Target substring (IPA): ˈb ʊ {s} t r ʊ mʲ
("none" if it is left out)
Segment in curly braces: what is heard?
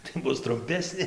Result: s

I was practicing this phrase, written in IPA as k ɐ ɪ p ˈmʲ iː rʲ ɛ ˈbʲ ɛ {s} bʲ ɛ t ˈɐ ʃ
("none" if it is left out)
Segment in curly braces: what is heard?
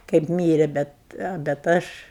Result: t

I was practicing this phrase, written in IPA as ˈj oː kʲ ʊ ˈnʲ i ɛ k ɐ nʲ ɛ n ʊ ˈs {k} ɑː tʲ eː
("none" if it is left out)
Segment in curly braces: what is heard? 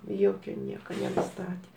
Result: t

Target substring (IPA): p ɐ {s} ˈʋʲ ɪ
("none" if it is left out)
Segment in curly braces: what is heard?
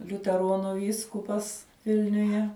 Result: s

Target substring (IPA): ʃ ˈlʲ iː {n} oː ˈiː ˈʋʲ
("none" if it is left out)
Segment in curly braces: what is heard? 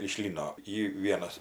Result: n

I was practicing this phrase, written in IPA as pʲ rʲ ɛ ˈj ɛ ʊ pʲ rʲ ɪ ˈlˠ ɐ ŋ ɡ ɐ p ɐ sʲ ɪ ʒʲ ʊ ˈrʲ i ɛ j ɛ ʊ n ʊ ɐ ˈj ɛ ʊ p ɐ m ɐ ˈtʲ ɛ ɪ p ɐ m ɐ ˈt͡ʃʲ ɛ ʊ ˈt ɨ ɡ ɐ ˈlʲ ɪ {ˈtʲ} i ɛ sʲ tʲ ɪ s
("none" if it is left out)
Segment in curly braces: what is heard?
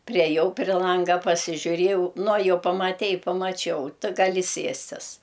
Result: sʲ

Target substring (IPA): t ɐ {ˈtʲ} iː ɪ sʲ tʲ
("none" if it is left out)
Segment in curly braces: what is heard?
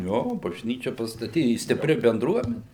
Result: tʲ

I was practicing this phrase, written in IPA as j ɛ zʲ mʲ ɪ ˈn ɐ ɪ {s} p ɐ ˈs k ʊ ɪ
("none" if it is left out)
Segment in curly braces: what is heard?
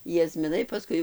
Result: none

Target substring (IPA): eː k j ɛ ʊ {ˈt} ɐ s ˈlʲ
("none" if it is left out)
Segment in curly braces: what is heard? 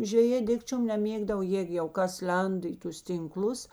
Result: k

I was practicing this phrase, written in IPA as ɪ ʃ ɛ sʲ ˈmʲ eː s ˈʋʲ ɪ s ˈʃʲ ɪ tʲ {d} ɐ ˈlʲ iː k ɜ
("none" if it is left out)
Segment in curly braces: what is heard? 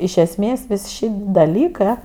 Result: d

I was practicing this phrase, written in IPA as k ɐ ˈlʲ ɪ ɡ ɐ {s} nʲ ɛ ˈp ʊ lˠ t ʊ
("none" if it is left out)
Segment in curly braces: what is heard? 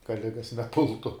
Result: s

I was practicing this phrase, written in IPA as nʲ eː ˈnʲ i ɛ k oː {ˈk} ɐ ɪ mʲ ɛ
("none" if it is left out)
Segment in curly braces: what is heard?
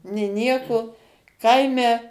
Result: k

